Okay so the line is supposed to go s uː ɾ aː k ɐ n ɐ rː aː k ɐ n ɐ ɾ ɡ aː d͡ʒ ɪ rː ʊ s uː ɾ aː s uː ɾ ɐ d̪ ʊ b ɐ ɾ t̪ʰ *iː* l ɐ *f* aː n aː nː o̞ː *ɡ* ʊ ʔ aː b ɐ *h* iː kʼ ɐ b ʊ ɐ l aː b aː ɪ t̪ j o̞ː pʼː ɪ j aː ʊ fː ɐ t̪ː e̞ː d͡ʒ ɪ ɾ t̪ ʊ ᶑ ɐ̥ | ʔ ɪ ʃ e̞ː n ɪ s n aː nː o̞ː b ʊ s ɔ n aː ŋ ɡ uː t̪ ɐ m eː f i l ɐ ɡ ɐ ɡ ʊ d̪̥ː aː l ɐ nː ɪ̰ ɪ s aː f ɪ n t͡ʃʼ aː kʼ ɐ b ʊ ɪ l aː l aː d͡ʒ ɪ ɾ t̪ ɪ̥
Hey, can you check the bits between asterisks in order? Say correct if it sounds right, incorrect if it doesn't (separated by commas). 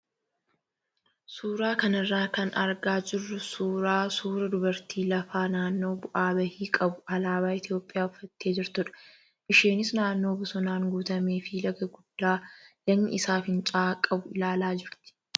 correct, correct, incorrect, correct